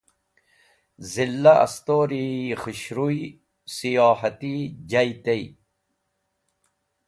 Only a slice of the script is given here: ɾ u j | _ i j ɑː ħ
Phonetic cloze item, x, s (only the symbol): s